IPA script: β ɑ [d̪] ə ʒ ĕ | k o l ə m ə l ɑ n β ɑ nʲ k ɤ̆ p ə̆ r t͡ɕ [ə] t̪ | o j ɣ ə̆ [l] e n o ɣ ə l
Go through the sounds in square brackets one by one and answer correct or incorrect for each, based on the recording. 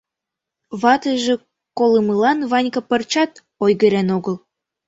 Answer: incorrect: t̪, incorrect: ɑ, incorrect: ɾ

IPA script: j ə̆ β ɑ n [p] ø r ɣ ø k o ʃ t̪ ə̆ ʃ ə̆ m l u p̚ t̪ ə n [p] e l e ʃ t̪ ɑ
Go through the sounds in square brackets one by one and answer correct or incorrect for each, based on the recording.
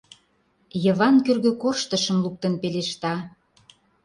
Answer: incorrect: k, correct

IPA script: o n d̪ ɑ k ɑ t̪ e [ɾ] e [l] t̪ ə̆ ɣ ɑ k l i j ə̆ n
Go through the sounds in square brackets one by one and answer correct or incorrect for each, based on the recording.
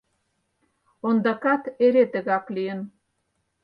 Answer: correct, incorrect: none

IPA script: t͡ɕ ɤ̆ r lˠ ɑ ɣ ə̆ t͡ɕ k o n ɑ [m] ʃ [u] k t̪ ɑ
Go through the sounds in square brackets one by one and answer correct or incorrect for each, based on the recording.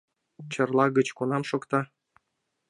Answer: correct, incorrect: o

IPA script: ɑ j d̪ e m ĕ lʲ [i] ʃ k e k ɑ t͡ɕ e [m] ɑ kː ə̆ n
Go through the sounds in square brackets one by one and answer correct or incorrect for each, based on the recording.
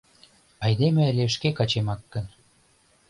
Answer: incorrect: e, correct

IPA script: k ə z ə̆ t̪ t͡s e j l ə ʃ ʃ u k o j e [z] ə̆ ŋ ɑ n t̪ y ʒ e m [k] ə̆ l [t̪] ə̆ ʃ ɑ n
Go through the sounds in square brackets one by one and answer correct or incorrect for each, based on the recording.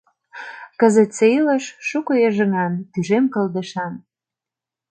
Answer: incorrect: ʒ, correct, incorrect: d̪

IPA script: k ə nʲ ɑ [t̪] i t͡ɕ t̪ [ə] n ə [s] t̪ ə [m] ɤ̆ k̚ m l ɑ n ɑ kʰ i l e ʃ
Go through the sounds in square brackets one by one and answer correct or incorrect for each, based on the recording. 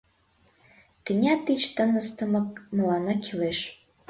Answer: correct, correct, correct, correct

